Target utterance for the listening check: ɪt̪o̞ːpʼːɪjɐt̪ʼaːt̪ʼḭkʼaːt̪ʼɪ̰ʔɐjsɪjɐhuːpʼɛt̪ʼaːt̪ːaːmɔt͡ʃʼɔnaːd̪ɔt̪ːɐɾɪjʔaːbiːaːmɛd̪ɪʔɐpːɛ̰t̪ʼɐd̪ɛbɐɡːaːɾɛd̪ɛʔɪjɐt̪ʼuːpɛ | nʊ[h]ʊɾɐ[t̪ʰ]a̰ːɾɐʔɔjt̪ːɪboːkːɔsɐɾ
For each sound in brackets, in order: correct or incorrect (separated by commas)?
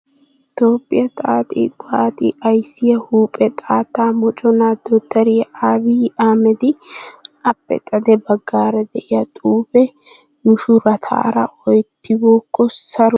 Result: incorrect, correct